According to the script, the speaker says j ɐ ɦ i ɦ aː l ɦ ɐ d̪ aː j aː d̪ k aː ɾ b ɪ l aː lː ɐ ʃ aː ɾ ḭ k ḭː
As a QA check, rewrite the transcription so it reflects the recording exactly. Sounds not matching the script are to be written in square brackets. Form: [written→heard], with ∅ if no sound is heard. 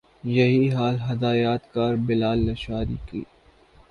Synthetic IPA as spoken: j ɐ ɦ i ɦ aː l ɦ ɐ d̪ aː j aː [d̪→t̪] k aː ɾ b ɪ l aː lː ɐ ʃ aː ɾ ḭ k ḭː